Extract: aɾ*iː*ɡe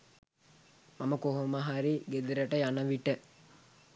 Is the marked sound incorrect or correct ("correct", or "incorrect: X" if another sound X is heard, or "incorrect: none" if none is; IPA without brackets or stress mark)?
incorrect: i